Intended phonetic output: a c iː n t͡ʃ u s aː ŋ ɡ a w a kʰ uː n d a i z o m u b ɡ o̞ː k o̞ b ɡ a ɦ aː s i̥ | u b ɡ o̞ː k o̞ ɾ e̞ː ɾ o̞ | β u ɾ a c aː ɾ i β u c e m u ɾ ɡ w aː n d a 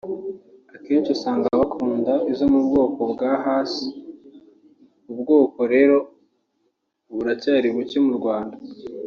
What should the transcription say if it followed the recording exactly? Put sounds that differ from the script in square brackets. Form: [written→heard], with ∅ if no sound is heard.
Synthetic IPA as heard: a [c→k] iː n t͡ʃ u s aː ŋ ɡ a [w→β] a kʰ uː n d a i z o m u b ɡ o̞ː k o̞ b ɡ a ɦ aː s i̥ | u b ɡ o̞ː k o̞ ɾ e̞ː ɾ o̞ | β u ɾ a c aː ɾ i β u c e m u ɾ ɡ w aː n d a